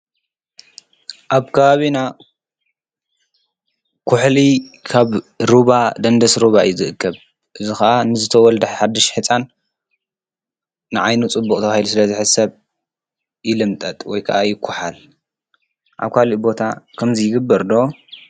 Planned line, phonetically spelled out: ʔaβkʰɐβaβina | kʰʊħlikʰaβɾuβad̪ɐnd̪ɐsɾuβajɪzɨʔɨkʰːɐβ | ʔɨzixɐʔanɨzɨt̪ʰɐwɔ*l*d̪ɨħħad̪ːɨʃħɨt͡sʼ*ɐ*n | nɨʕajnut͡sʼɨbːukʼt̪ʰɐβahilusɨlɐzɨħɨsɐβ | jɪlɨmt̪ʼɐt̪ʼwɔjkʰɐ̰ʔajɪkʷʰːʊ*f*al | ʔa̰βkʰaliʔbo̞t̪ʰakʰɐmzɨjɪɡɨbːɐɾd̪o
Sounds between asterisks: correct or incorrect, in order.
correct, incorrect: a, incorrect: ħ

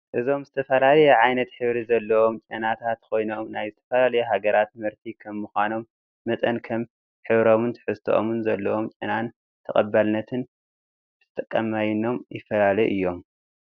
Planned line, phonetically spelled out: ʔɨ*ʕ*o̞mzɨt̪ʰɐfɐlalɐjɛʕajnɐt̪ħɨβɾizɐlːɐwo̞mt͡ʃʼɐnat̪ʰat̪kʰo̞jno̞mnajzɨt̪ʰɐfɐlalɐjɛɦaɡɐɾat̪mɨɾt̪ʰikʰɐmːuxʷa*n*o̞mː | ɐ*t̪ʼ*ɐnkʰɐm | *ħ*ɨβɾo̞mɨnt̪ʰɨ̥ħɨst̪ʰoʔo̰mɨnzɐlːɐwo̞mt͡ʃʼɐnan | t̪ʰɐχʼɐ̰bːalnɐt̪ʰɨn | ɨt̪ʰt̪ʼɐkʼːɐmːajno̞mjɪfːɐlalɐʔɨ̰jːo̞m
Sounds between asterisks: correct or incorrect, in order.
incorrect: z, correct, correct, correct

